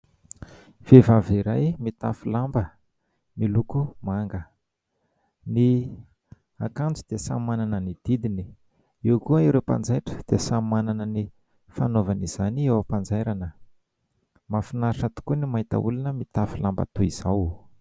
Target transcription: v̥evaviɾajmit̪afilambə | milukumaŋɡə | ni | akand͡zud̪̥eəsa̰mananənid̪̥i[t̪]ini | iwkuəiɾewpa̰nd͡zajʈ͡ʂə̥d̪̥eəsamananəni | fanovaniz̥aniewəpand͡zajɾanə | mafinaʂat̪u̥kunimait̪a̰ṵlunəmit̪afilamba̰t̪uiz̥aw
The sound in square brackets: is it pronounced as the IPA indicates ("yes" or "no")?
no